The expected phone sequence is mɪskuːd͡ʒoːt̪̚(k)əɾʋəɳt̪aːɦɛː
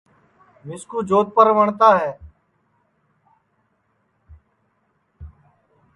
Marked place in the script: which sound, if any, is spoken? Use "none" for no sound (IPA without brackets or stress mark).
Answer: p